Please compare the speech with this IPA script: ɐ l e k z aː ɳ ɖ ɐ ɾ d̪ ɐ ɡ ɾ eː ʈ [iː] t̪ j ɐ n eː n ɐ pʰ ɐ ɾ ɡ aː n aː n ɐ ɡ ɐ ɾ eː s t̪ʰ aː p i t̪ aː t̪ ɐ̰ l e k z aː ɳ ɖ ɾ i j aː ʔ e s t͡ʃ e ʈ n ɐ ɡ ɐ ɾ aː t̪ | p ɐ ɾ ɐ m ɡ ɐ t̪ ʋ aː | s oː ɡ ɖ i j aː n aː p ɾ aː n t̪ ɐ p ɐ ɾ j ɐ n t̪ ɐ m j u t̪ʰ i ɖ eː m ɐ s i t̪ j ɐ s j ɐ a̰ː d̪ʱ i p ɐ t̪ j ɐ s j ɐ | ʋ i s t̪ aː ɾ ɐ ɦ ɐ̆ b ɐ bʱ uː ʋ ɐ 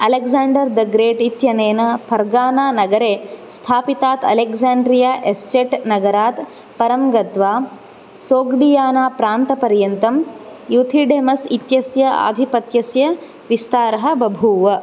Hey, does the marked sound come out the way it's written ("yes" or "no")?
no